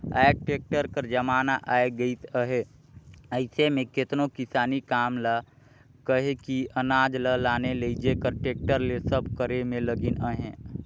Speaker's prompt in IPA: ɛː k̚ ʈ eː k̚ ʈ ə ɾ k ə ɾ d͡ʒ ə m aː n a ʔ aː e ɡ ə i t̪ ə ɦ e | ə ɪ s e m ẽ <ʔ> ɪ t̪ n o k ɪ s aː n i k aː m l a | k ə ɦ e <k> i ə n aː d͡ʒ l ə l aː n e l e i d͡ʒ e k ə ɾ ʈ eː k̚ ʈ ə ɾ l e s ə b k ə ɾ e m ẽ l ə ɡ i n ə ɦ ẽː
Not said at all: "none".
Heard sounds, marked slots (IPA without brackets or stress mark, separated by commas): k, k